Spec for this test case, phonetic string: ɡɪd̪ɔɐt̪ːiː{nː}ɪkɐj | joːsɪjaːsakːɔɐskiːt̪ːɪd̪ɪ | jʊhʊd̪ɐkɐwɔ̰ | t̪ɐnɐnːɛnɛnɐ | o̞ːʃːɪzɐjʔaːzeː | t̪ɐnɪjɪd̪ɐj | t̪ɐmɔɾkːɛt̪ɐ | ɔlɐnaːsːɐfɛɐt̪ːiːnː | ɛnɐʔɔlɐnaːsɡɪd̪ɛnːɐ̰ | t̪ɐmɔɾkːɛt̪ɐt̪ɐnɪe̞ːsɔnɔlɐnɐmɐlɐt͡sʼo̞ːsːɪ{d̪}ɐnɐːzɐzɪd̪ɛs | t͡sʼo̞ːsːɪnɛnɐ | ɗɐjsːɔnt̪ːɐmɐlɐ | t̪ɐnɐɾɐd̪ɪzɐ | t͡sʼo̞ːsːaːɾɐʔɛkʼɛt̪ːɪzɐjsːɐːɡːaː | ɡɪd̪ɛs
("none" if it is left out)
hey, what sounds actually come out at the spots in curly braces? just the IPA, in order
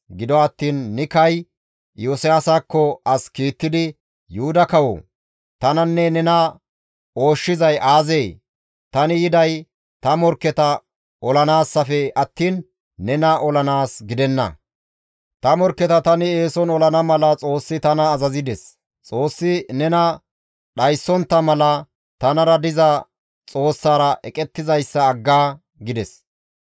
nː, t̪

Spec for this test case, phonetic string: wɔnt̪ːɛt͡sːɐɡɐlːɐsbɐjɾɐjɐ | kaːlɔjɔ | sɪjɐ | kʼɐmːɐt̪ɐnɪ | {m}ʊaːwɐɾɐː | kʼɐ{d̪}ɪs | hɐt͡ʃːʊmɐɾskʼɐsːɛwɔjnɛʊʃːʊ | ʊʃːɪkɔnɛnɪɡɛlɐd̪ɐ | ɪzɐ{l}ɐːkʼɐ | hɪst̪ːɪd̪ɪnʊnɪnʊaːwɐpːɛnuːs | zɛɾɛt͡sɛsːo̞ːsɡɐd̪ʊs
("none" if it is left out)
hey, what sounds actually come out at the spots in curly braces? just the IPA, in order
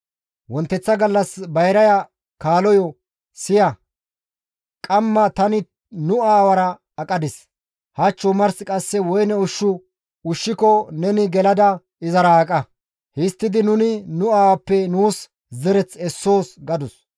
n, d̪, ɾ

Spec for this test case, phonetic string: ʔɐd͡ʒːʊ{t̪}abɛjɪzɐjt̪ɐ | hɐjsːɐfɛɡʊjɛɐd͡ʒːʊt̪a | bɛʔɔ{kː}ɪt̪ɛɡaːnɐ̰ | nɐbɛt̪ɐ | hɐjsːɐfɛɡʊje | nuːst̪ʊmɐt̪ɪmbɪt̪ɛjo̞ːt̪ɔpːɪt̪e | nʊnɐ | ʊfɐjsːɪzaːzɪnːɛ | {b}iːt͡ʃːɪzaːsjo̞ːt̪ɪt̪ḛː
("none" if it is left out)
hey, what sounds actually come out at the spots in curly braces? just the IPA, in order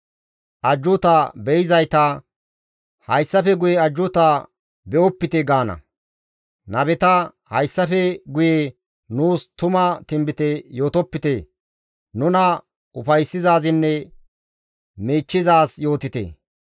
t̪, pː, m

